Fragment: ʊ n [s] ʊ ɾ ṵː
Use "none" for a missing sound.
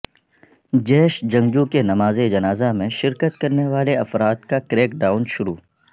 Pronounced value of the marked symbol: ʃ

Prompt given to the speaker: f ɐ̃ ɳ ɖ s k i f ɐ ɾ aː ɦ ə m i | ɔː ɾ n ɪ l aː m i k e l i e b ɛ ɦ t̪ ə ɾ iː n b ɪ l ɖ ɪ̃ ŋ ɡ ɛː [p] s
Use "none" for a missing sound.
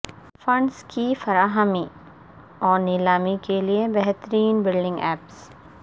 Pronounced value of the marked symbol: p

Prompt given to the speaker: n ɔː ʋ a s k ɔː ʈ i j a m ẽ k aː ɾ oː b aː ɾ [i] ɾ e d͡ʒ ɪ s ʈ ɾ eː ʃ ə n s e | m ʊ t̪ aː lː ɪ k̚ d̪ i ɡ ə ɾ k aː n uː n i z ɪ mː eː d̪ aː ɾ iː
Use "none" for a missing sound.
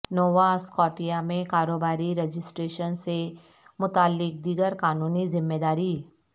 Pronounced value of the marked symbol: i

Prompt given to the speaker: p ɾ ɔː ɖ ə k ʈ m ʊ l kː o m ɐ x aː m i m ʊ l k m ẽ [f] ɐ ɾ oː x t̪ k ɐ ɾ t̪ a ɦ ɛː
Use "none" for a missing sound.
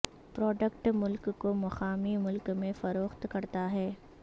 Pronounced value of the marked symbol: f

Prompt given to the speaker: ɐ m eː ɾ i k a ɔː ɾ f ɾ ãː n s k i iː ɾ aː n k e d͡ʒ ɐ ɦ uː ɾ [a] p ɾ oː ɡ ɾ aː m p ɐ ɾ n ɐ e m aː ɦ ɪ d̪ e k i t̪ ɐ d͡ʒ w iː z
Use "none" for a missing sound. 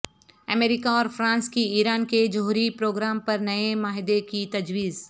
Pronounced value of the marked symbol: i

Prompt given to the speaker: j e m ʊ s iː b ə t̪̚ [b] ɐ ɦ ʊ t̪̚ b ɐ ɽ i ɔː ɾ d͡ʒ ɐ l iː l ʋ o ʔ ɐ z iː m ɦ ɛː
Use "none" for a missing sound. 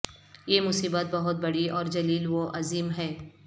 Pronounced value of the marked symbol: b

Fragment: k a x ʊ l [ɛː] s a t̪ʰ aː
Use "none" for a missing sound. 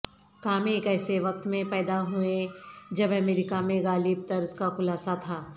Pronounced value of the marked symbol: aː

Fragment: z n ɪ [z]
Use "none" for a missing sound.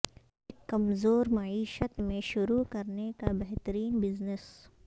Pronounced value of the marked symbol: s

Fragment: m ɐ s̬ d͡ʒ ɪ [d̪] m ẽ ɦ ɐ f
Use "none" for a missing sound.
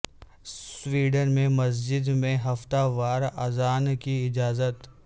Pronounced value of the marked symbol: d̪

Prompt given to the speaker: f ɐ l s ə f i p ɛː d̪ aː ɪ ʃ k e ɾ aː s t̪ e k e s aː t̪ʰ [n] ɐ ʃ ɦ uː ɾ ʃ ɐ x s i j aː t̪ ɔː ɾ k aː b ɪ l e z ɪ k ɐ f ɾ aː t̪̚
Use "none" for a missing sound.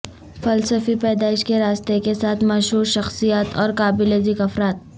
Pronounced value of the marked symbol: m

